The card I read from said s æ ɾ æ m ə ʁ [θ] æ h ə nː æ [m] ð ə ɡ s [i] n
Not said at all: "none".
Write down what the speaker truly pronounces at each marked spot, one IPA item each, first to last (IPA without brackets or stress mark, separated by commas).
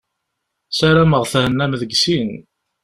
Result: θ, m, i